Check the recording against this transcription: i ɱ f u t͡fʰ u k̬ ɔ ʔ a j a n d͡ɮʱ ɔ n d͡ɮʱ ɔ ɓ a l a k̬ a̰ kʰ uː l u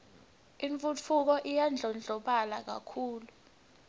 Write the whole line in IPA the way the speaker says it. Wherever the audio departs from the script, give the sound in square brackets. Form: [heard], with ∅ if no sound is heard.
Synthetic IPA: i ɱ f u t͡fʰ u k̬ ɔ ʔ [i] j a n d͡ɮʱ ɔ n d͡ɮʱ ɔ ɓ a l a k̬ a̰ kʰ uː l u